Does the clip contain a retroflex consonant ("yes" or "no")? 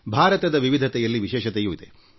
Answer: no